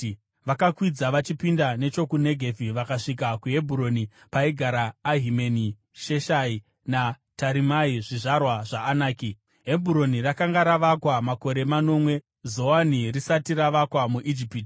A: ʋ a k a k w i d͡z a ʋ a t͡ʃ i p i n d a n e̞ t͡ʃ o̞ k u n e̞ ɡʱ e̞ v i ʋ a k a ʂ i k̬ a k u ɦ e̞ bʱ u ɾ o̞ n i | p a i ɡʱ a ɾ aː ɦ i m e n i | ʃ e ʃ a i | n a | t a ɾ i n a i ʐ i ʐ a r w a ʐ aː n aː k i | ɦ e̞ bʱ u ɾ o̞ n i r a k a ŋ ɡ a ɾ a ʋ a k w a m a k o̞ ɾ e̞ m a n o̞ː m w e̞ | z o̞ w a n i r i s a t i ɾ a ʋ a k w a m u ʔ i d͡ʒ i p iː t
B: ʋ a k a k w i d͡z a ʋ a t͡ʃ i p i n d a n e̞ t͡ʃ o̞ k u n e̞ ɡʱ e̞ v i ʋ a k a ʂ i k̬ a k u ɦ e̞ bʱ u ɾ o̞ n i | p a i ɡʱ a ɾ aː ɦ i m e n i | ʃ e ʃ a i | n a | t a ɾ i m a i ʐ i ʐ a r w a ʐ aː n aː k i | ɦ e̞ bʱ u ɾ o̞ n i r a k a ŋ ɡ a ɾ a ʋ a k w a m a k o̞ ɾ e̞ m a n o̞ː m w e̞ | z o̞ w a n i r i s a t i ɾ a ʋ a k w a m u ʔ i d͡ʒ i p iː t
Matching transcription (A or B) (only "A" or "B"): B